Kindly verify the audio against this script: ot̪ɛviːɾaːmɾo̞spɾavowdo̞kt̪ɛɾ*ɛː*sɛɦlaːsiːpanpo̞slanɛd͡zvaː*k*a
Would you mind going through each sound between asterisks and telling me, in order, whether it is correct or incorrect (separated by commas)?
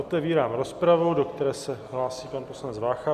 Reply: correct, incorrect